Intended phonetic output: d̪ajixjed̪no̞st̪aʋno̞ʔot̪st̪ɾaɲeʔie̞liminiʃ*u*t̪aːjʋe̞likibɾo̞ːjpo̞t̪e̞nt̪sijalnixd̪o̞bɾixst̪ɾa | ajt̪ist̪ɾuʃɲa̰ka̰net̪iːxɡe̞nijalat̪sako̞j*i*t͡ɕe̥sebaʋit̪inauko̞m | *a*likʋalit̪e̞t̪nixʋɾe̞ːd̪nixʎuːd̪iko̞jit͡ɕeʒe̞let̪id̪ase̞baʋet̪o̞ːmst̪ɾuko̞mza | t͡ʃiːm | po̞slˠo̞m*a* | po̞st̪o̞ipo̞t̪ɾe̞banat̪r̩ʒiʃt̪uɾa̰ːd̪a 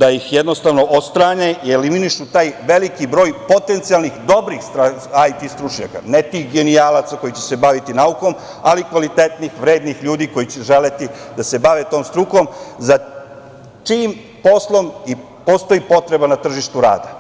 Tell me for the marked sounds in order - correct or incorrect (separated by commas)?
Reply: correct, correct, correct, incorrect